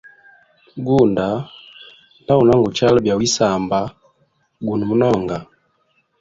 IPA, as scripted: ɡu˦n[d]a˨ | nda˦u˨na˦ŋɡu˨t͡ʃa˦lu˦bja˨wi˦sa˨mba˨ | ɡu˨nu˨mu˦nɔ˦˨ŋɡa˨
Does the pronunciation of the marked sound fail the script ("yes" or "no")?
no